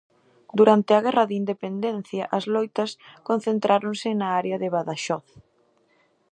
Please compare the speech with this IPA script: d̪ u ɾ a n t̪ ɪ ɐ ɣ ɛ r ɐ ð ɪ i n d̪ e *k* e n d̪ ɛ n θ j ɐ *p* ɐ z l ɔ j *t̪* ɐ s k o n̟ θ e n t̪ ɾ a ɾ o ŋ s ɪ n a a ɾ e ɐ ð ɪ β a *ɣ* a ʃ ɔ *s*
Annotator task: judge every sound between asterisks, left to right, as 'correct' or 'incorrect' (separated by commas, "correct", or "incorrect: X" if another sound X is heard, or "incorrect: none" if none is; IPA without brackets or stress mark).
incorrect: p, incorrect: ʔ, correct, incorrect: ð, incorrect: θ